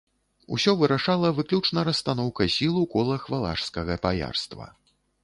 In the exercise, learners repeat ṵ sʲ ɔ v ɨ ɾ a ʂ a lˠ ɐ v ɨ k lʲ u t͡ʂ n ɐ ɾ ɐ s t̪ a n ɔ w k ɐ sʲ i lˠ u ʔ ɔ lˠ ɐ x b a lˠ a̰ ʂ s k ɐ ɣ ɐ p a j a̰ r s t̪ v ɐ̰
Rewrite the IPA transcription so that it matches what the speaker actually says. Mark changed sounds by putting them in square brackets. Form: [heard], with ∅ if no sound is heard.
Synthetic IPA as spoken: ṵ sʲ ɔ v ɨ ɾ a ʂ a lˠ ɐ v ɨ k lʲ u t͡ʂ n ɐ ɾ ɐ s t̪ a n ɔ w k ɐ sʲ i lˠ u [k] ɔ lˠ ɐ x [v] a lˠ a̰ ʂ s k ɐ ɣ ɐ p a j a̰ r s t̪ v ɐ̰